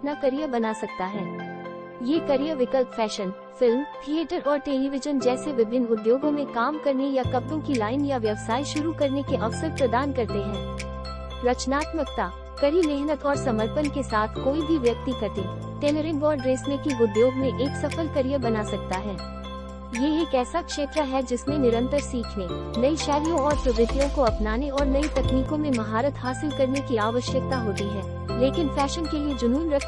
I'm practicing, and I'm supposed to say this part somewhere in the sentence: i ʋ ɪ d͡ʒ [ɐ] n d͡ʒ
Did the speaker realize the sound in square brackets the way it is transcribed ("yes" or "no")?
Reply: no